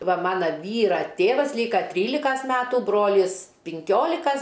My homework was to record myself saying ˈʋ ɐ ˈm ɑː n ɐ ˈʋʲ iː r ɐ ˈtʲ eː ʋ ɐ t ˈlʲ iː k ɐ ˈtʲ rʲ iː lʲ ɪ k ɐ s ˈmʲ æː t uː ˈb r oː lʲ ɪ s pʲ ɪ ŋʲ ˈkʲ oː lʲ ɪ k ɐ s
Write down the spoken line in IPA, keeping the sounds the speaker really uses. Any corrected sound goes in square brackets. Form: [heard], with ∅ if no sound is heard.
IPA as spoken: ˈʋ ɐ ˈm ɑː n ɐ ˈʋʲ iː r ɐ ˈtʲ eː ʋ ɐ [s] ˈlʲ iː k ɐ ˈtʲ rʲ iː lʲ ɪ k ɐ s ˈmʲ æː t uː ˈb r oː lʲ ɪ s pʲ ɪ ŋʲ ˈkʲ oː lʲ ɪ k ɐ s